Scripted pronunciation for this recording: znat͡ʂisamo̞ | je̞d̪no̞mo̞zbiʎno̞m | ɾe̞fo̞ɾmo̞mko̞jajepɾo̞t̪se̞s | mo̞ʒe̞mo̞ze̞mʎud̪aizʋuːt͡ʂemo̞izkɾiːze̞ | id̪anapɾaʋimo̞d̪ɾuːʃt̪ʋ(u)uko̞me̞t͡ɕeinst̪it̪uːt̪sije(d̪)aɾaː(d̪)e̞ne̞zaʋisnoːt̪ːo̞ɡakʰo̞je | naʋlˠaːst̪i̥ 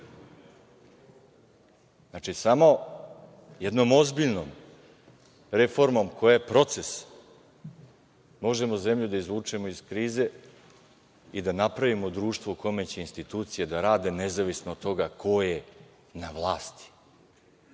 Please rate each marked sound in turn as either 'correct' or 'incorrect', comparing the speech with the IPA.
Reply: incorrect: o, correct, correct

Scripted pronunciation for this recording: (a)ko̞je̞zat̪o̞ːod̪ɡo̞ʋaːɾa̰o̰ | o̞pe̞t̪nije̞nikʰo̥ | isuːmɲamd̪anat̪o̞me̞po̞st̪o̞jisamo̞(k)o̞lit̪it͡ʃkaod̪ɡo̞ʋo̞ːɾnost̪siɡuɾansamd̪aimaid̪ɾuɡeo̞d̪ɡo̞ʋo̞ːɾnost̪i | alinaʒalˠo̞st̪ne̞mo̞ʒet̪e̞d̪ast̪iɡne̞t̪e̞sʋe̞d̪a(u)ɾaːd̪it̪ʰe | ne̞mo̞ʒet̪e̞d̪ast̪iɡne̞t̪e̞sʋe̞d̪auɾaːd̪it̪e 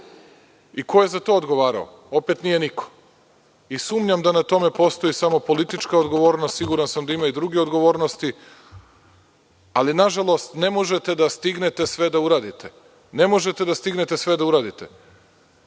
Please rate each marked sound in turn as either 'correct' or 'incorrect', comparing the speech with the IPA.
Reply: incorrect: i, incorrect: p, correct

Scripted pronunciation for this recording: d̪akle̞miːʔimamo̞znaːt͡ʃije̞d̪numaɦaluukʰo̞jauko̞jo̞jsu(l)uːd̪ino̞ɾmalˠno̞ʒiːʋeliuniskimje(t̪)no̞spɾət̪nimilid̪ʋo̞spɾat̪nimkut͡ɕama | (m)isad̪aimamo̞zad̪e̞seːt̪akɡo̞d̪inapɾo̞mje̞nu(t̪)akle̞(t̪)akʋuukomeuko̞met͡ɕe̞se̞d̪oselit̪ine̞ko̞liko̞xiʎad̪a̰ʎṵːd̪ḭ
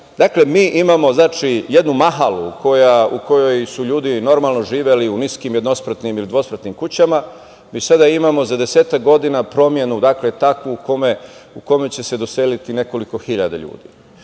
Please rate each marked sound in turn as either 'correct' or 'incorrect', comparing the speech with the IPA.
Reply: incorrect: ʎ, incorrect: d̪, correct, incorrect: d̪, correct

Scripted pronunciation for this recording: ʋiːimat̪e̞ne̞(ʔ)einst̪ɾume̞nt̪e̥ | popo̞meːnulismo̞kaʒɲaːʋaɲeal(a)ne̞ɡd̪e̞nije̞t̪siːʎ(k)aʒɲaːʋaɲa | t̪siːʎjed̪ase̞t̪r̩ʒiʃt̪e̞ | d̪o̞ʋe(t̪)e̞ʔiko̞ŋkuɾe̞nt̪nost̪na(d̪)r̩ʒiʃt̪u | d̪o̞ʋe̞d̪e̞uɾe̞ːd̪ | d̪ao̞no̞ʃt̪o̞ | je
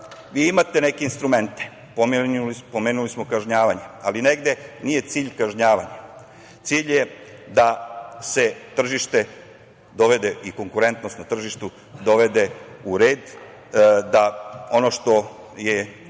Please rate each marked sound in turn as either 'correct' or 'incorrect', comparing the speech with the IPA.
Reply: incorrect: k, incorrect: i, correct, incorrect: d̪, incorrect: t̪

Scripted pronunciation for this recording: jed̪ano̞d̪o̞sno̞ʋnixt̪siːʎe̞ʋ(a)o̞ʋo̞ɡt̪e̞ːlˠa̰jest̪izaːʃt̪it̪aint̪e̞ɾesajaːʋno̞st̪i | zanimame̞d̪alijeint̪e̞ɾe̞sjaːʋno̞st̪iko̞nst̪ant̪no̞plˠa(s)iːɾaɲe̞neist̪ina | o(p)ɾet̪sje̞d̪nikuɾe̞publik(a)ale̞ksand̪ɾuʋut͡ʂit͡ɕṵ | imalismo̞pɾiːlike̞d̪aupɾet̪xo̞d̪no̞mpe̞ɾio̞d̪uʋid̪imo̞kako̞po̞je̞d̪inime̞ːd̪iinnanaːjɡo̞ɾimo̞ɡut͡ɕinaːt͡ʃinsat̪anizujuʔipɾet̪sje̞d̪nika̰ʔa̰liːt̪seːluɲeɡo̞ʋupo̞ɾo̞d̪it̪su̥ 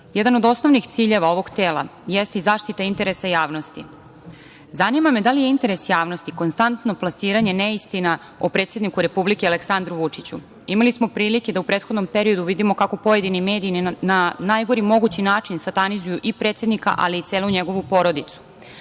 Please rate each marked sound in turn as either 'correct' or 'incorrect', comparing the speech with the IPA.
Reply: correct, correct, correct, incorrect: e

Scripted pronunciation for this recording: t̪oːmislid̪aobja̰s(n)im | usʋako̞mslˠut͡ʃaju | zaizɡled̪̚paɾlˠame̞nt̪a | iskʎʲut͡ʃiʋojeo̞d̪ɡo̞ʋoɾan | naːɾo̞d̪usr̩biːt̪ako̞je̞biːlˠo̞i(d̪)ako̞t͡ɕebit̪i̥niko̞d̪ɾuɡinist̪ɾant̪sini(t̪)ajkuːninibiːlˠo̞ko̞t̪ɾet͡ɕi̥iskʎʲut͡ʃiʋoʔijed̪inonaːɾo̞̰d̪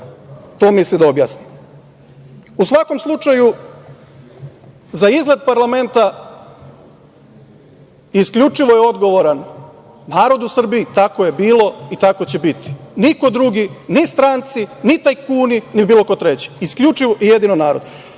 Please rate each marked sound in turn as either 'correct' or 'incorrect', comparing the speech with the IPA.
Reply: correct, incorrect: t̪, correct

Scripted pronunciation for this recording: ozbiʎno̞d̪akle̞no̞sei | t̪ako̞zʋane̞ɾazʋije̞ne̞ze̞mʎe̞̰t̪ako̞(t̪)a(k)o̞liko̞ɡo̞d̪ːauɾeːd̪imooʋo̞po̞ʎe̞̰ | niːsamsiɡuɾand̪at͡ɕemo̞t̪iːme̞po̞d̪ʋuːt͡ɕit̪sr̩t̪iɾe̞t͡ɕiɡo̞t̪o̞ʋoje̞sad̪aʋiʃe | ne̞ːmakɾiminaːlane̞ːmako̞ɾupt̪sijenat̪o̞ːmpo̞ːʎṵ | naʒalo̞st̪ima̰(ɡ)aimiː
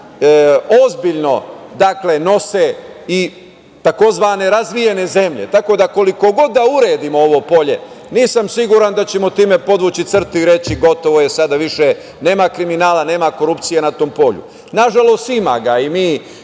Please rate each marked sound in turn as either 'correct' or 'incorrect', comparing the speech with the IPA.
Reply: incorrect: d̪, correct, correct

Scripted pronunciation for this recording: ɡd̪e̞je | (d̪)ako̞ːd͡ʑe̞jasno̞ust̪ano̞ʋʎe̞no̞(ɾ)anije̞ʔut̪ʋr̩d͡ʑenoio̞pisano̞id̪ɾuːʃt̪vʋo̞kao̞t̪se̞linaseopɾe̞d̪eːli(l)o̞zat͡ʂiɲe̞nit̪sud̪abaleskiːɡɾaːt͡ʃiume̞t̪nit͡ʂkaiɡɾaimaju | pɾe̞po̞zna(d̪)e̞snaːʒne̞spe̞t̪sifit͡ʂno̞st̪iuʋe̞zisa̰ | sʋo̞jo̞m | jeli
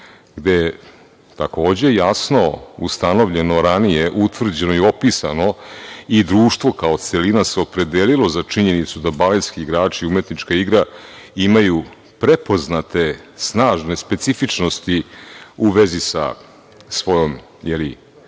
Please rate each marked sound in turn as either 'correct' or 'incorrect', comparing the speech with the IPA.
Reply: incorrect: t̪, correct, correct, incorrect: t̪

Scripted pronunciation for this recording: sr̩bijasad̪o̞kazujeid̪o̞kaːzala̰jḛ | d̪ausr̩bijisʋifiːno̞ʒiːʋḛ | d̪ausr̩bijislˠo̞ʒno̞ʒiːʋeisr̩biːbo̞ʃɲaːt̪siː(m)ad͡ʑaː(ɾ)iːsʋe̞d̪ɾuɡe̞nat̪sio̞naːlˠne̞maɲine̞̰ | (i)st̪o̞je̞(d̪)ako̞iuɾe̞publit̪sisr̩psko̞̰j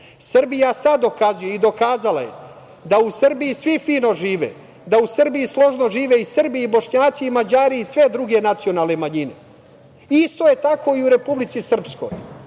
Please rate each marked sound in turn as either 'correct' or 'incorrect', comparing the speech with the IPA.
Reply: correct, correct, correct, incorrect: t̪

